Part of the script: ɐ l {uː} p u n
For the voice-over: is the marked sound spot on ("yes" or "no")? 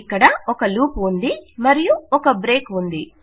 yes